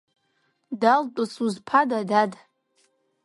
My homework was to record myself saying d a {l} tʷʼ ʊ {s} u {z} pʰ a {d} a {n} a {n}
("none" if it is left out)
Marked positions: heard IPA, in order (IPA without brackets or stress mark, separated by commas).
l, s, z, d, d, d